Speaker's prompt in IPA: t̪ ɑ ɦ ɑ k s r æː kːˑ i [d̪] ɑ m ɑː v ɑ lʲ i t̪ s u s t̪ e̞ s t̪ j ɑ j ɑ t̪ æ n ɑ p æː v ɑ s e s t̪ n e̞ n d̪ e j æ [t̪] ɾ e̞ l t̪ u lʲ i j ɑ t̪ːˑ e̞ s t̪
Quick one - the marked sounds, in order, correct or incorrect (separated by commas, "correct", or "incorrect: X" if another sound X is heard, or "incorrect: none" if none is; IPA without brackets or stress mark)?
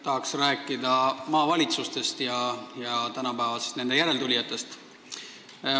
correct, incorrect: none